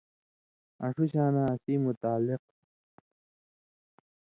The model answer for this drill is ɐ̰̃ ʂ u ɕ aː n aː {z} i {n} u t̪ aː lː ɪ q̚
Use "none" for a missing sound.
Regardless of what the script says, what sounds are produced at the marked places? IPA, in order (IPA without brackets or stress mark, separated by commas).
s, m